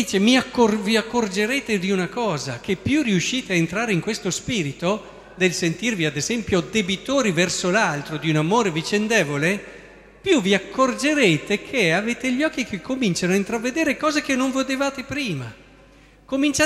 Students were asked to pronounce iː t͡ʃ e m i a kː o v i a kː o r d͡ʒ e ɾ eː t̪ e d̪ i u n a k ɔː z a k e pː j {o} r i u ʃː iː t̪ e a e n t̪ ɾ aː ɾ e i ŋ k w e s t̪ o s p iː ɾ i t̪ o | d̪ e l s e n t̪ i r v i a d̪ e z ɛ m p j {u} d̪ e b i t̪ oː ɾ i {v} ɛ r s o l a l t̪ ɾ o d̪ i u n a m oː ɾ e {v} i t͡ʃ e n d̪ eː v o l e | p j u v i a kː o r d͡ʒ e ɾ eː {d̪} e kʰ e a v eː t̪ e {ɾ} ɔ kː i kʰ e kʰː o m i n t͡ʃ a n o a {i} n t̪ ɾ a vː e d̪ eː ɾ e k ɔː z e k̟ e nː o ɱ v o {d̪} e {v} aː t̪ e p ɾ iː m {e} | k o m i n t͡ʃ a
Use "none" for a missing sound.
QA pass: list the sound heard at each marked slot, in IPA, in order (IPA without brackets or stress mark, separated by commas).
u, o, v, v, t̪, ʎ, i, d̪, v, a